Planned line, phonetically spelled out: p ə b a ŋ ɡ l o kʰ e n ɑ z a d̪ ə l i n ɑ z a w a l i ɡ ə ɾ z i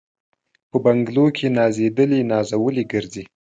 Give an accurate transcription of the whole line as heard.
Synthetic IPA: p ə b a ŋ ɡ l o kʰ e n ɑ z e d̪ ə l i n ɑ z a w ə l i ɡ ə ɾ z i